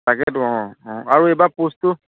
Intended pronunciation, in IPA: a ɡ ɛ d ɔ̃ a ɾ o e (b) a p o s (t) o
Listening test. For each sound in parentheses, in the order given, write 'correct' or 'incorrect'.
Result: correct, correct

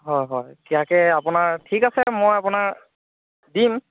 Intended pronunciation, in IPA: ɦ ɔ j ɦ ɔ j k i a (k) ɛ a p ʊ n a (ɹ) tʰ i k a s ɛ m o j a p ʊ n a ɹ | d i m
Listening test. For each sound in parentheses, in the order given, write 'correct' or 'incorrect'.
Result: correct, correct

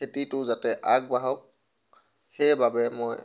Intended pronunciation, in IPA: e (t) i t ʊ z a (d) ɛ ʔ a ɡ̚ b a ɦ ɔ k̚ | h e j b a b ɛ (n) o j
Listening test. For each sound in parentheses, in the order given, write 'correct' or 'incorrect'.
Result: correct, incorrect: t, incorrect: m

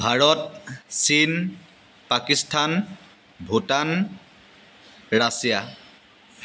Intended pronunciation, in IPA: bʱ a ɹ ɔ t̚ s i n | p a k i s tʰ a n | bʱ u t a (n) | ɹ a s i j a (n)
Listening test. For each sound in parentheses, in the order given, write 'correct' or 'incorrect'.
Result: correct, incorrect: none

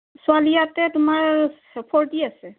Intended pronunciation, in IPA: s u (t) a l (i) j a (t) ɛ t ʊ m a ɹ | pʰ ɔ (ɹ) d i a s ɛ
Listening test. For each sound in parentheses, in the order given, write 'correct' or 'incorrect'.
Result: incorrect: none, correct, correct, correct

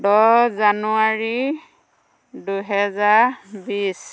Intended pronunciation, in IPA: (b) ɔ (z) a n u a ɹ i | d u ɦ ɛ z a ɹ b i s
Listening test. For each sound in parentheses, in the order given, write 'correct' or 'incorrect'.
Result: incorrect: d, correct

